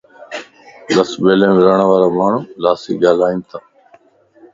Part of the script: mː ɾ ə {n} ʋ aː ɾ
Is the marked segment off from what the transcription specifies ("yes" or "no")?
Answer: yes